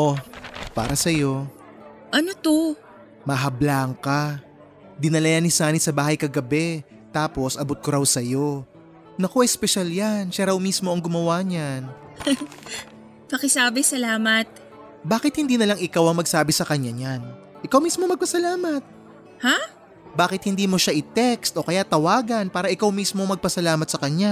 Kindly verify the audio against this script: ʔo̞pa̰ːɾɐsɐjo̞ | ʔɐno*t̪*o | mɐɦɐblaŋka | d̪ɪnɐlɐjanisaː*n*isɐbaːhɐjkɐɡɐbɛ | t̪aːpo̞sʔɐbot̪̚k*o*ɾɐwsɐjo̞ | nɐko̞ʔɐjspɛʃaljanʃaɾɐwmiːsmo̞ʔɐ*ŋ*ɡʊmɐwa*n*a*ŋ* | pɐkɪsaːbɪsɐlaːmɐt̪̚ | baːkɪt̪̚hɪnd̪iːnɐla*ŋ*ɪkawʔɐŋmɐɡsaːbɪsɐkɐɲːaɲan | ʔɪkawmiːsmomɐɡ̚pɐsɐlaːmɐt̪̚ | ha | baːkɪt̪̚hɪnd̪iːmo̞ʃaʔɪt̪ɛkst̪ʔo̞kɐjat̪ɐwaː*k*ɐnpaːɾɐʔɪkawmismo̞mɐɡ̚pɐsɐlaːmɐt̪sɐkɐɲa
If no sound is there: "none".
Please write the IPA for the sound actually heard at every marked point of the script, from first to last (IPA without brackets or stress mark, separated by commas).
t̪, n, o, ŋ, ɲ, n, ŋ, ɡ